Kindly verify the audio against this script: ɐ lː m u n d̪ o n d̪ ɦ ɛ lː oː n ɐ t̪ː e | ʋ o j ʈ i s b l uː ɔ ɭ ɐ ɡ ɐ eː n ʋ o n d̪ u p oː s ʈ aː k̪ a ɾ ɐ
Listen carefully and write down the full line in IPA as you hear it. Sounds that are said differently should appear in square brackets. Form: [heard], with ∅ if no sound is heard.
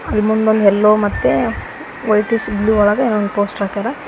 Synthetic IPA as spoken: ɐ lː m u n d̪ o n d̪ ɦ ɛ lː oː [m] ɐ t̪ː e | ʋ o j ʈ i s b l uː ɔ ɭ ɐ ɡ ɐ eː n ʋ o n d̪ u p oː s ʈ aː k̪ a ɾ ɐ